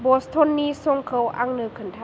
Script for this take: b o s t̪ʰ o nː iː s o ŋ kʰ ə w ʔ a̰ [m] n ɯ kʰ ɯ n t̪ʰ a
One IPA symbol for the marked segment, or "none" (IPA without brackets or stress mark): ŋ